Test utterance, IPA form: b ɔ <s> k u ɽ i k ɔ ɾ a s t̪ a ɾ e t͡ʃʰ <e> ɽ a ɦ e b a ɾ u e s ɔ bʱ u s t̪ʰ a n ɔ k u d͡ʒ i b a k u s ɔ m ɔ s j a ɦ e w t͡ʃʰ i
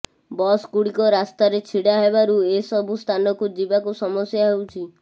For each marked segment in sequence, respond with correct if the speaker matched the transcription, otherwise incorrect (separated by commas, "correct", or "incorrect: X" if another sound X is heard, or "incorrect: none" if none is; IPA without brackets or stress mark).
correct, incorrect: i